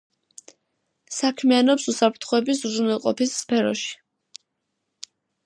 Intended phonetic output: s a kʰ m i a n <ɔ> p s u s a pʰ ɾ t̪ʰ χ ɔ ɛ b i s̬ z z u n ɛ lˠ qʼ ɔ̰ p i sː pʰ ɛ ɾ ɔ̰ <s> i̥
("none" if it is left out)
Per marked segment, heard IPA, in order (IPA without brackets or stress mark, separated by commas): ɔ, ʃ